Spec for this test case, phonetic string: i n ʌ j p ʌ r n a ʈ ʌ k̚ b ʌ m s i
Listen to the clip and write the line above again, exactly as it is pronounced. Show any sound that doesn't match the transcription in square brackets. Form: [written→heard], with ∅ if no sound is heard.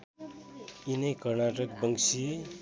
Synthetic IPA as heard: i n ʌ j [p→k] ʌ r n a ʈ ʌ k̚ b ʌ [m→ŋ] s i